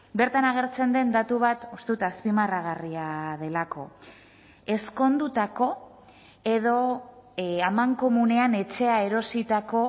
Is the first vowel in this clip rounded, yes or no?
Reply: no